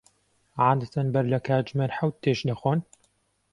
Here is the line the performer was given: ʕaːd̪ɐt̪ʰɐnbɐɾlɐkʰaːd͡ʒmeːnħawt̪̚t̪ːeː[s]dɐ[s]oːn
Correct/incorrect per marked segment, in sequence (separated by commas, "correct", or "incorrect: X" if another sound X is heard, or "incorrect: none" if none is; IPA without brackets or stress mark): incorrect: ʃ, incorrect: x